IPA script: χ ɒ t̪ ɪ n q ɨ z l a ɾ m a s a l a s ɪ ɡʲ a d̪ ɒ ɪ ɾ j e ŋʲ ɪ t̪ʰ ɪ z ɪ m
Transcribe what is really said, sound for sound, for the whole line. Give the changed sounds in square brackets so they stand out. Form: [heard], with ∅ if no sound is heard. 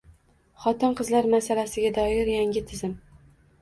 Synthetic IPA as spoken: χ ɒ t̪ ɪ n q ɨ z l a ɾ m a s a l a s ɪ ɡʲ a d̪ ɒ ɪ ɾ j [a] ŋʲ ɪ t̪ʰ ɪ z ɪ m